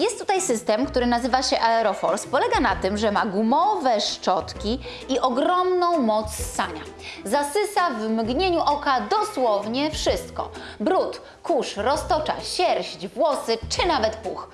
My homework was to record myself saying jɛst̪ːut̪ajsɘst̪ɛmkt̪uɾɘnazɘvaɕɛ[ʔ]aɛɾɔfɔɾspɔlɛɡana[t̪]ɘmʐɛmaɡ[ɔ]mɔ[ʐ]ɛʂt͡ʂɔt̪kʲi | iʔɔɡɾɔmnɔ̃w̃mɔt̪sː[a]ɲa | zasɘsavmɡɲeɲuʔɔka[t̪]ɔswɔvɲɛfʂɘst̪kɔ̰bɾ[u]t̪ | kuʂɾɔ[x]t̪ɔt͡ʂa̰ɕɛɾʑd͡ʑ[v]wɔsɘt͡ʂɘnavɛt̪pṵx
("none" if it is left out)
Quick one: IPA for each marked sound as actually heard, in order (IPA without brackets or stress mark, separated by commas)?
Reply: ʔ, t̪, u, v, a, d̪, u, s, v